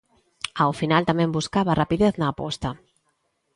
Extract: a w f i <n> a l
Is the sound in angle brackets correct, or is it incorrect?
correct